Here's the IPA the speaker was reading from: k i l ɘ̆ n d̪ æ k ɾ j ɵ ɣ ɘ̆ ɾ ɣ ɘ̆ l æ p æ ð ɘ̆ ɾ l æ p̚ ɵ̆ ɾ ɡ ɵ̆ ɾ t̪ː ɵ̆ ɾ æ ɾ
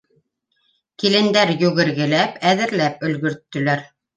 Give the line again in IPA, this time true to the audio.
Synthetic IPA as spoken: k i l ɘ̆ n d̪ æ ɾ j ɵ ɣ ɘ̆ ɾ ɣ ɘ̆ l æ p æ ð ɘ̆ ɾ l æ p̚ ɵ̆ l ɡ ɵ̆ ɾ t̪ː ɵ̆ l æ ɾ